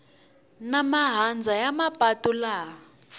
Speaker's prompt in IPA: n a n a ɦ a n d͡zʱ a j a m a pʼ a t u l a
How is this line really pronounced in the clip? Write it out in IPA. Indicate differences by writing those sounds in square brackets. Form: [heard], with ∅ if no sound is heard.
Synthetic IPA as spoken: n a [m] a ɦ a n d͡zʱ a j a m a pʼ a t u l a